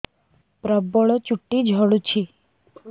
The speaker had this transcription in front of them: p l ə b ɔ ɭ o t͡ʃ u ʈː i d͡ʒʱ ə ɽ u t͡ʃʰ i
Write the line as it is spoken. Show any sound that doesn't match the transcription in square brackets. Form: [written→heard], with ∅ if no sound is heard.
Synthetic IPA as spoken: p [l→ɾ] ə b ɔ ɭ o t͡ʃ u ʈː i d͡ʒʱ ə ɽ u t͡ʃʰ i